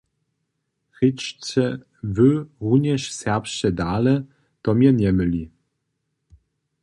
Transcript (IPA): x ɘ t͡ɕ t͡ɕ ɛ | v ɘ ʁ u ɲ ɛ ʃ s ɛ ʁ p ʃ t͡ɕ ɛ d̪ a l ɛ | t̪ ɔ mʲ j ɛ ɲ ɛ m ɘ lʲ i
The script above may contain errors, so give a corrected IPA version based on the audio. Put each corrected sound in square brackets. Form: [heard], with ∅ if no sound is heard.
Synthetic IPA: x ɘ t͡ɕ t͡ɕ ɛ | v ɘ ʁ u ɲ ɛ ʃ s ɛ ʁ p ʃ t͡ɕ ɛ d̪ a l ɛ | t̪ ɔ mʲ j ɛ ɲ ɛ m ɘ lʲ i

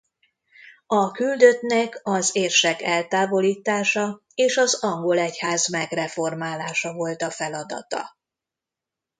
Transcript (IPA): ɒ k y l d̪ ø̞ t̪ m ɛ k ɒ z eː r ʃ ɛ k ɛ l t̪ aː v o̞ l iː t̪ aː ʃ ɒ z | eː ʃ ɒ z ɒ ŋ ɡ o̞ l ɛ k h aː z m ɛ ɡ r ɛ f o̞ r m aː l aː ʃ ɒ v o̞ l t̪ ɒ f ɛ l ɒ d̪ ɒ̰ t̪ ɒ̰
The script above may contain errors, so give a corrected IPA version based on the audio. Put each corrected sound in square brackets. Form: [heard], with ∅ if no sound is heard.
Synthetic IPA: ɒ k y l d̪ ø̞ t̪ [n] ɛ k ɒ z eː r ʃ ɛ k ɛ l t̪ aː v o̞ l iː t̪ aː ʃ ɒ [∅] | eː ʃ ɒ z ɒ ŋ ɡ o̞ l ɛ [c] h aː z m ɛ ɡ r ɛ f o̞ r m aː l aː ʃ ɒ v o̞ l t̪ ɒ f ɛ l ɒ d̪ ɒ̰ t̪ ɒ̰

